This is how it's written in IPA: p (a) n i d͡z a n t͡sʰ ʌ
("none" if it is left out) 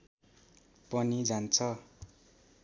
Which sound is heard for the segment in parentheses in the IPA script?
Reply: ʌ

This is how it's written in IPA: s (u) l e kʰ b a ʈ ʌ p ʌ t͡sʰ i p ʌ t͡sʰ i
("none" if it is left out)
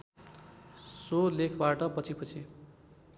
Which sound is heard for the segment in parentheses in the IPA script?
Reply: o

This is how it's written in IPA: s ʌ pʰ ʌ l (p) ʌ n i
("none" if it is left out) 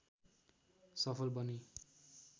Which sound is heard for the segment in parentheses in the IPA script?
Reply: b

